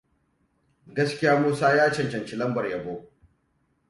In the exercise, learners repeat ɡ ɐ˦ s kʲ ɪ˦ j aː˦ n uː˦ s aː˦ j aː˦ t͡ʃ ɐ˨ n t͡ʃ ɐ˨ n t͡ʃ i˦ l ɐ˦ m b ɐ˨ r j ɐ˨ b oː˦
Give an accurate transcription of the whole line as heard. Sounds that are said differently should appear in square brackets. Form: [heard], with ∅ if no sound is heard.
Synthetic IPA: ɡ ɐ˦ s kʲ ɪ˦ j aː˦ [m] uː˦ s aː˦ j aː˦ t͡ʃ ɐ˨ n t͡ʃ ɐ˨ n t͡ʃ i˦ l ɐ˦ m b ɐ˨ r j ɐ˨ b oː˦